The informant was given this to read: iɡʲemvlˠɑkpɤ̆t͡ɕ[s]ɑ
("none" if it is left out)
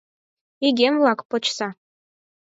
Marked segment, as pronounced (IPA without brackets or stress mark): s